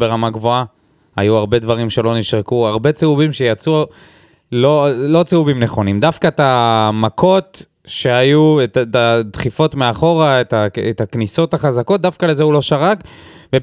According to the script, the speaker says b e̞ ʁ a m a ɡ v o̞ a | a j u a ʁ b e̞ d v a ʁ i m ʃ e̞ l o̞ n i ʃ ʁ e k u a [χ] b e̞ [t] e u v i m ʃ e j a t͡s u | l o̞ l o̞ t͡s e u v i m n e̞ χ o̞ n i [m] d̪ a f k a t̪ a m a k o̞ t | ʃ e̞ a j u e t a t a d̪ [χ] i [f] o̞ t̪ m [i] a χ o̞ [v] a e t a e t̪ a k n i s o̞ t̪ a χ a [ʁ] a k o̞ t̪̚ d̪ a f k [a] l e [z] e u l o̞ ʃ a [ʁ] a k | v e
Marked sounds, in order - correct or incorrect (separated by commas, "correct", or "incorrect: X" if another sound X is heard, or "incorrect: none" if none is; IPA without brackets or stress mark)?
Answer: incorrect: ʁ, incorrect: t͡s, correct, correct, correct, incorrect: e, incorrect: ʁ, incorrect: z, correct, correct, correct